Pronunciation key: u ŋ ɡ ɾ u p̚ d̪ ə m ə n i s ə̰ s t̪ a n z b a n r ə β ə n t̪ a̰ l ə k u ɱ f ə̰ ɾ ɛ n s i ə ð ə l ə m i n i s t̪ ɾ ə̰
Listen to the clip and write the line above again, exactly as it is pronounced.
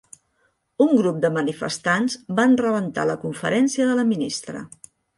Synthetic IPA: u ŋ ɡ ɾ u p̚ d̪ ə m ə n i f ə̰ s t̪ a n z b a n r ə β ə n t̪ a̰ l ə k u ɱ f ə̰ ɾ ɛ n s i ə ð ə l ə m i n i s t̪ ɾ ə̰